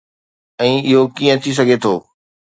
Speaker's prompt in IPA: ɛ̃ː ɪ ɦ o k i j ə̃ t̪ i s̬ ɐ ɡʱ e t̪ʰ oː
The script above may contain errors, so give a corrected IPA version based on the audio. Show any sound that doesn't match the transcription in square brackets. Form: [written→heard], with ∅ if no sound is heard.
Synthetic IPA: ɛ̃ː ɪ ɦ o k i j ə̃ [t̪→t̪ʰ] i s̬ ɐ ɡʱ e t̪ʰ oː